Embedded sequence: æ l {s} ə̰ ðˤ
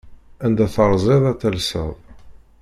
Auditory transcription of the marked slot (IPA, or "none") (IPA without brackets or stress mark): s